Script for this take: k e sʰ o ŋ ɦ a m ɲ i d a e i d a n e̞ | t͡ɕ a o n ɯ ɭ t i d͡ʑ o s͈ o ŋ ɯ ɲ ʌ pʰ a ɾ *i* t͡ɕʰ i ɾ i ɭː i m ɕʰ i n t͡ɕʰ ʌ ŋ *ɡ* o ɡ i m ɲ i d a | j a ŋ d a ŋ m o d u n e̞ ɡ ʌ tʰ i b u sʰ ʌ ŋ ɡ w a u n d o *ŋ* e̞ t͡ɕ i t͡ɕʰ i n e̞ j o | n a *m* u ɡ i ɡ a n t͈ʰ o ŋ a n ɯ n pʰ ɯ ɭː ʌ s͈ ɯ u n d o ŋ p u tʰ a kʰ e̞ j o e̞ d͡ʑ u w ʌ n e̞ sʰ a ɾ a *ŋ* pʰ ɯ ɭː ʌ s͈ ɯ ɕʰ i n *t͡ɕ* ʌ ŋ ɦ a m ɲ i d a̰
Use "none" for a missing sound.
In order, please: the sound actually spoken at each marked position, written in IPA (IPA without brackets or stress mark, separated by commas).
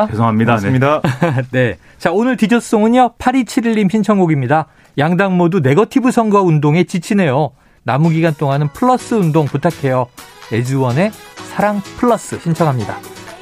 i, ɡ, ŋ, m, ŋ, t͡ɕʰ